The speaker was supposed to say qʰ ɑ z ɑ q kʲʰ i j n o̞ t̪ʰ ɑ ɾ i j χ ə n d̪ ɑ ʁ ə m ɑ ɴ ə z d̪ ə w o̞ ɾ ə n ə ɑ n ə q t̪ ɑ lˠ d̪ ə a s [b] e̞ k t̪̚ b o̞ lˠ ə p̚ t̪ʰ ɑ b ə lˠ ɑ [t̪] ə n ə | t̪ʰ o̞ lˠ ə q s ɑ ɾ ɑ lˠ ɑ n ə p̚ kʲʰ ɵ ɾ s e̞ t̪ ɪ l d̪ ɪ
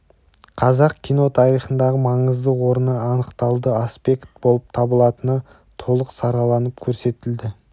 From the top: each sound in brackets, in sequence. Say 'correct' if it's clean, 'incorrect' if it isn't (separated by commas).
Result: incorrect, correct